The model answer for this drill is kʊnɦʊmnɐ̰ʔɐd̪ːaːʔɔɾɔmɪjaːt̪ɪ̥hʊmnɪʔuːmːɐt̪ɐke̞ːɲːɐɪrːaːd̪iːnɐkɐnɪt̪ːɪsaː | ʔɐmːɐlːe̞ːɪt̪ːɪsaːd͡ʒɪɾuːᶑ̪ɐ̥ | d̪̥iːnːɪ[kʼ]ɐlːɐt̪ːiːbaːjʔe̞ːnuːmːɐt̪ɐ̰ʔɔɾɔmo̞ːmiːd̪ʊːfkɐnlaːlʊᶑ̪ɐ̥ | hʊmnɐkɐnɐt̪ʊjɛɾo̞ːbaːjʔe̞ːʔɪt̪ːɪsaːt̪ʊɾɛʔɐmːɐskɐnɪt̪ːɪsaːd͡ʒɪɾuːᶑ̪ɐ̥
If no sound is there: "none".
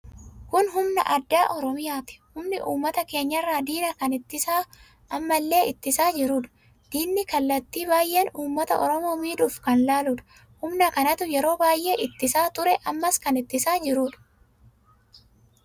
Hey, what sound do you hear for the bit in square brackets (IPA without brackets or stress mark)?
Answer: k